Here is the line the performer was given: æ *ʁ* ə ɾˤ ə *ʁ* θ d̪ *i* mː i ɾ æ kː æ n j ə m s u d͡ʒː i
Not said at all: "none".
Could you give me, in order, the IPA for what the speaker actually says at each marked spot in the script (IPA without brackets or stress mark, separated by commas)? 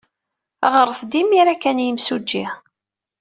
ʁ, none, i